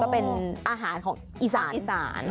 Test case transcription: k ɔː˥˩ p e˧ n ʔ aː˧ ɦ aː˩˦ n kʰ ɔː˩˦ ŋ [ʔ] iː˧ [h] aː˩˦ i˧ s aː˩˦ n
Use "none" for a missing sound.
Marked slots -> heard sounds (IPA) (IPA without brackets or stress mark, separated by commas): ʔ, s